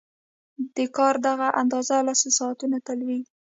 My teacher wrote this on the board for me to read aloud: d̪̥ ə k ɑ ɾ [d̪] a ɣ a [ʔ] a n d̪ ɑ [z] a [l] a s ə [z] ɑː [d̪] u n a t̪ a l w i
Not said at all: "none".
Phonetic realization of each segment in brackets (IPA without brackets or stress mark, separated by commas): d̪, ʔ, z, l, s, t̪